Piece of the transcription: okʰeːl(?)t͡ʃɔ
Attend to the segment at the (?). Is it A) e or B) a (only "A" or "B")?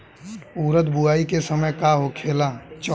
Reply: B